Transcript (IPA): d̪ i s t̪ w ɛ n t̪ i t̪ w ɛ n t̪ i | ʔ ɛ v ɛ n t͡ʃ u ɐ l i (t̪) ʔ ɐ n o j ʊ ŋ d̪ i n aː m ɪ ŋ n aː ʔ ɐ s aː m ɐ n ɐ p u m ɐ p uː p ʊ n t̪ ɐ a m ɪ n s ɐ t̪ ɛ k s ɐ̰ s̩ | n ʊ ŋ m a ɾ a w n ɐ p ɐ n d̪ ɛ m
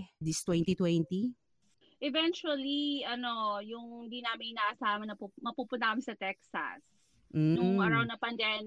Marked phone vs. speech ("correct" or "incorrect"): incorrect